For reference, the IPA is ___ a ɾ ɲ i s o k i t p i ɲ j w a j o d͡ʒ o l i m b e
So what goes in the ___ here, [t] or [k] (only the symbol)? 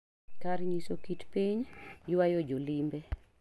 k